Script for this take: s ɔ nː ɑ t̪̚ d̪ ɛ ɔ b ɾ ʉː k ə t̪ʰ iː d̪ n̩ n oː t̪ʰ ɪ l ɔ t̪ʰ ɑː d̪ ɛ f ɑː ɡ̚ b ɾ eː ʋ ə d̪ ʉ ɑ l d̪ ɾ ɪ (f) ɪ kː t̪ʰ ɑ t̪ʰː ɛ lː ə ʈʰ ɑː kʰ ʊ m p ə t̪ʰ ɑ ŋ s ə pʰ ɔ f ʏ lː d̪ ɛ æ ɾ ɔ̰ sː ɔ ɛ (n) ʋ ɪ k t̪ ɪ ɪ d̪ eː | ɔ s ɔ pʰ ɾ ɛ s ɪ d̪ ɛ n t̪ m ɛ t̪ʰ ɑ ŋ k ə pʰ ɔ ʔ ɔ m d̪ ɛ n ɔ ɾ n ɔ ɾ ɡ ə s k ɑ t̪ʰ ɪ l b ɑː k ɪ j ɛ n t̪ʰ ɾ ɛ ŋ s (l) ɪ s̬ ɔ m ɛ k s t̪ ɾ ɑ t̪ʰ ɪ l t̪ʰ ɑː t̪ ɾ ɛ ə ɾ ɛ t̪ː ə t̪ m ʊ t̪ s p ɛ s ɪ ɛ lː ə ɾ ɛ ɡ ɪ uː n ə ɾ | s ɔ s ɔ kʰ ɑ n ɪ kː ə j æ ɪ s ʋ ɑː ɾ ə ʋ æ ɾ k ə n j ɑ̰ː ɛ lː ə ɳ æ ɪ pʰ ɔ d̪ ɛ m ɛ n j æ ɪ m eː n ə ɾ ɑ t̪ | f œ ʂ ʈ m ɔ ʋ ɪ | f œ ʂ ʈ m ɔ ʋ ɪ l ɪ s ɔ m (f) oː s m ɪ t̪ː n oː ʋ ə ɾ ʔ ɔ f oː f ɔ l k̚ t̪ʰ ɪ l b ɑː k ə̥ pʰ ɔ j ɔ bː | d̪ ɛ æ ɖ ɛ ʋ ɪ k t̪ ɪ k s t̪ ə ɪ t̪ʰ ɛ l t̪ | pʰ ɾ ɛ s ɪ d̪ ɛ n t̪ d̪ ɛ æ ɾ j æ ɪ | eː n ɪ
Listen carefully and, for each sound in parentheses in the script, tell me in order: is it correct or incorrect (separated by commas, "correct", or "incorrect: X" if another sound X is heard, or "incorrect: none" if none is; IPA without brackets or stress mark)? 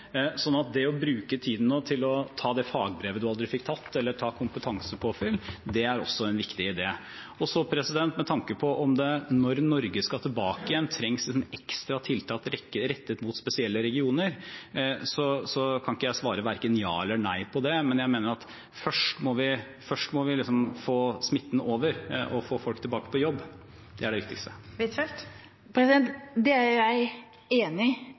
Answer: correct, correct, correct, correct